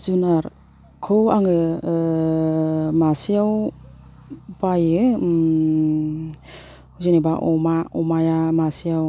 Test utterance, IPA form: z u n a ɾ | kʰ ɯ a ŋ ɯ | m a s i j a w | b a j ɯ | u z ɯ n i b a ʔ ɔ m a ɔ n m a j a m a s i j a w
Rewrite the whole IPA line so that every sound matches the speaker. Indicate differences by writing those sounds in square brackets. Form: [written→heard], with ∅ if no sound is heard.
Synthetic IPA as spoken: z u n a ɾ | kʰ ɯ a ŋ ɯ | m a s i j a w | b a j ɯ | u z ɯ n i b a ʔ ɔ m a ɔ [n→∅] m a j a m a s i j a w